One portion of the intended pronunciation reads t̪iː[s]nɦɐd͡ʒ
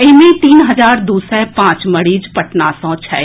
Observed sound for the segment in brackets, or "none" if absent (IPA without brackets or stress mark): none